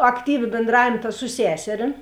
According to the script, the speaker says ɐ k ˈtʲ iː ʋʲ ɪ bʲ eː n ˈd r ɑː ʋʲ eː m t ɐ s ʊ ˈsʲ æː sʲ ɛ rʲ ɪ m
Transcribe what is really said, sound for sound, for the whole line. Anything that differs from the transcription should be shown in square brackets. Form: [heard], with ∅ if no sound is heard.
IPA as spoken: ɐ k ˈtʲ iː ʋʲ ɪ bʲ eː n ˈd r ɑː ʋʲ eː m t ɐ s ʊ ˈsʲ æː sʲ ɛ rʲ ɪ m